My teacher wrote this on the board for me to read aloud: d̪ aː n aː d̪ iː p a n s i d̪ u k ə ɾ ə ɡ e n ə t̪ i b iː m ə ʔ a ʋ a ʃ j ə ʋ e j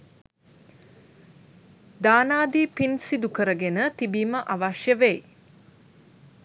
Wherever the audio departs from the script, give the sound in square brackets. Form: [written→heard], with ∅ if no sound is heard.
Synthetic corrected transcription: d̪ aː n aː d̪ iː p [a→i] n s i d̪ u k ə ɾ ə ɡ e n ə t̪ i b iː m ə ʔ a ʋ a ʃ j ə ʋ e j

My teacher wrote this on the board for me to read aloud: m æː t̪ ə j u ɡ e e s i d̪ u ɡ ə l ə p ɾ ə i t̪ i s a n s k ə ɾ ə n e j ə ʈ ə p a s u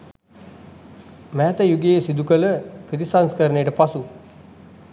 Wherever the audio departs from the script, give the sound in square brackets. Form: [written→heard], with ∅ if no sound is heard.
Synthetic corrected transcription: m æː t̪ ə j u ɡ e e s i d̪ u [ɡ→k] ə l ə p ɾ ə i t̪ i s a n s k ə ɾ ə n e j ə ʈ ə p a s u

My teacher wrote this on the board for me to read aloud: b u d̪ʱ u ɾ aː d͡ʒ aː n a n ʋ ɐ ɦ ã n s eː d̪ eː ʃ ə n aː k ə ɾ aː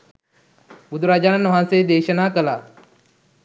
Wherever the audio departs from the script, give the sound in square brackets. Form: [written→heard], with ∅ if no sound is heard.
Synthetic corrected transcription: b u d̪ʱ u ɾ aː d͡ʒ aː n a n ʋ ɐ ɦ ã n s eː d̪ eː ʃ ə n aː k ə [ɾ→l] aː

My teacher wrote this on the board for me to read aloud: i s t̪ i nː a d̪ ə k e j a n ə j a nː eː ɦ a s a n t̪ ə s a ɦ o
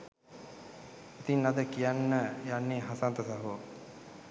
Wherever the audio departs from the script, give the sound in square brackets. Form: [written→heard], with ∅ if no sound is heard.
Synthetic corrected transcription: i [s→∅] t̪ i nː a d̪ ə k [e→i] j a [n→nː] ə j a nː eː ɦ a s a n t̪ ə s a ɦ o

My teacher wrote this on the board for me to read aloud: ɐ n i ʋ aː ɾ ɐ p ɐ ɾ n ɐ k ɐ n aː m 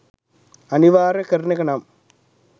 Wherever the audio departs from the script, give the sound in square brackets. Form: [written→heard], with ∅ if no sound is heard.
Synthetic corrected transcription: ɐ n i ʋ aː ɾ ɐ [p→k] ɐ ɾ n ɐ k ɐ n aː m

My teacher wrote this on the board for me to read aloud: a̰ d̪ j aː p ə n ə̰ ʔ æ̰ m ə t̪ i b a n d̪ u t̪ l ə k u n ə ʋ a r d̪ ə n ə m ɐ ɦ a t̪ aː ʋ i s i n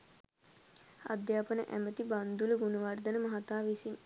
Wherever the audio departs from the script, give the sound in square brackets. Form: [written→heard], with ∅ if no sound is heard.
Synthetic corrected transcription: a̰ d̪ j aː p ə n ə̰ ʔ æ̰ m ə t̪ i b a n d̪ u [t̪→∅] l ə [k→ɡ] u n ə ʋ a r d̪ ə n ə m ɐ ɦ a t̪ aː ʋ i s i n

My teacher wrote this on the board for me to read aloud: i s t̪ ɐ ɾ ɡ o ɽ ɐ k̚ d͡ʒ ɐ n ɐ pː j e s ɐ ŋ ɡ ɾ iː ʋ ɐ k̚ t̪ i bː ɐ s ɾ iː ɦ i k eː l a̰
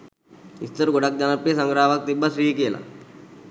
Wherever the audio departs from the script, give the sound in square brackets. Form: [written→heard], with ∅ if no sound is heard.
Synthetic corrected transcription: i s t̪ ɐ ɾ ɡ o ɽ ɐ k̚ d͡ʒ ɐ n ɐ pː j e s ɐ ŋ ɡ ɾ [iː→aː] ʋ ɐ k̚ t̪ i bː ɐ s ɾ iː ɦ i k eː l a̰

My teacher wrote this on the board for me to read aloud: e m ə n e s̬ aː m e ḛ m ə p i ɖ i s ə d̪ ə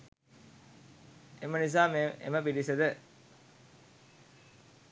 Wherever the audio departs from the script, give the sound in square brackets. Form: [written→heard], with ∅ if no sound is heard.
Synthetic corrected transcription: e m ə n [e→i] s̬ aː m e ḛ m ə p i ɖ i s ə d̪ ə

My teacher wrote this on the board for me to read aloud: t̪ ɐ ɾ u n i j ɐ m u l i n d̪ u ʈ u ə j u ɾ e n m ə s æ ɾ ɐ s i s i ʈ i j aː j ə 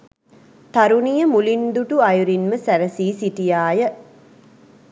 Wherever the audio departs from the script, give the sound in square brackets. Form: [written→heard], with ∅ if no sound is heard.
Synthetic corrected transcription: t̪ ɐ ɾ u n i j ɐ m u l i n d̪ u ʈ u [ə→ɐ] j u ɾ [e→i] n m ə s æ ɾ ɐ s [i→iː] s i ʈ i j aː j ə

